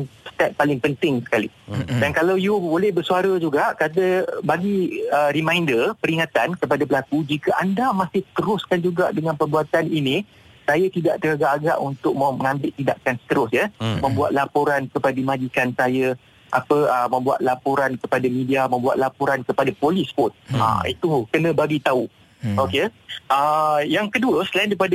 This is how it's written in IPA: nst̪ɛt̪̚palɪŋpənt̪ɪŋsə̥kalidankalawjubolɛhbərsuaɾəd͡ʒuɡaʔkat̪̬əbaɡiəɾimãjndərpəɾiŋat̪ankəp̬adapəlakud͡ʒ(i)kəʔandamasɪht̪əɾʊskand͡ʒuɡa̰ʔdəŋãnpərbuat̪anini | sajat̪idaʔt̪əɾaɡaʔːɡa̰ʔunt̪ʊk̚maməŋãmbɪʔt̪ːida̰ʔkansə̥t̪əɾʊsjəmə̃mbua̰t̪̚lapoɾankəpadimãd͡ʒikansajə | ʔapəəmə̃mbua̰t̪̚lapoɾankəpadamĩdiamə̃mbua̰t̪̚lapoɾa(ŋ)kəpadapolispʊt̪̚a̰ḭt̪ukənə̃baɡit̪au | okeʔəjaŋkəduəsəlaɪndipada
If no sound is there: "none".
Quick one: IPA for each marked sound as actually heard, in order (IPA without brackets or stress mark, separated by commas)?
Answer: i, n